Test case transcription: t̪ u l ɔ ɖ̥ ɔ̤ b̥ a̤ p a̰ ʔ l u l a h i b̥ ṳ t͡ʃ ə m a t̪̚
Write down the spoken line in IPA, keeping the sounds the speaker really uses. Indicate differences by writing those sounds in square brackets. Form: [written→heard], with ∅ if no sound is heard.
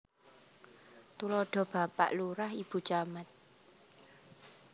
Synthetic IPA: t̪ u l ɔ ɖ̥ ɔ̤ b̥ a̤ p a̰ ʔ l u [l→ɾ] a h i b̥ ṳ t͡ʃ [ə→a] m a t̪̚